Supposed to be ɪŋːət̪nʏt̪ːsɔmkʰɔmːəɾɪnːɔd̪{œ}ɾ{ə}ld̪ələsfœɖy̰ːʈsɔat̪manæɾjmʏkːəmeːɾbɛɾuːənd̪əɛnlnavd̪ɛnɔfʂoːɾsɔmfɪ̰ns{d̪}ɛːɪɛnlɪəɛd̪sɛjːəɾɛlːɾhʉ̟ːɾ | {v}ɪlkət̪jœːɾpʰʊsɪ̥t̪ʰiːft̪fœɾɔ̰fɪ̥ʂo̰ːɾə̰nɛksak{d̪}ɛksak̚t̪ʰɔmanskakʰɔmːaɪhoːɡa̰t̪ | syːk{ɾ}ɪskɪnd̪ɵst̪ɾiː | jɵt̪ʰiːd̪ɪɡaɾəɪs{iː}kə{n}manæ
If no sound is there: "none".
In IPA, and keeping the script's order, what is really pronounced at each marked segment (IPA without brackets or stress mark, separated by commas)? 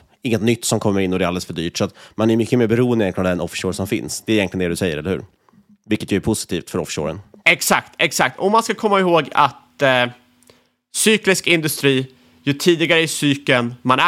ɛ, a, d̪, v, t̪, l, yː, n